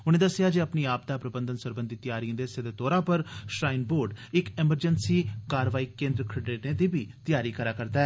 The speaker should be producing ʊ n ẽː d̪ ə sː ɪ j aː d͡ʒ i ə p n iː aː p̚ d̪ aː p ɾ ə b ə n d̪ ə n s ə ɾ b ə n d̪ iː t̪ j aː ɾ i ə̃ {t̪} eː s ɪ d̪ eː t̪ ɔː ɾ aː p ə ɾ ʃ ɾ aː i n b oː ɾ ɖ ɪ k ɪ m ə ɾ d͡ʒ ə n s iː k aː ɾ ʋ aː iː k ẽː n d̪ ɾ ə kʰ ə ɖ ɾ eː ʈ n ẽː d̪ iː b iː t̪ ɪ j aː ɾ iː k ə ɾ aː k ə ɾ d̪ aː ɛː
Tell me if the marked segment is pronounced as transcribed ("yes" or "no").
no